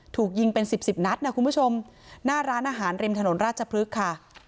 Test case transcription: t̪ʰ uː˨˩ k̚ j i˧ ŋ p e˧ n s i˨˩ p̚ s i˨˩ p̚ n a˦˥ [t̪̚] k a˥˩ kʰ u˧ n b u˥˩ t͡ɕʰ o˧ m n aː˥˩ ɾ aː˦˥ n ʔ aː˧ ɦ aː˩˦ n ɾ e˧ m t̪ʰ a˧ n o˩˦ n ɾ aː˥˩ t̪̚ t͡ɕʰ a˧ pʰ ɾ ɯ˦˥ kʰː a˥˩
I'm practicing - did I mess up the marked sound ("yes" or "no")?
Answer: no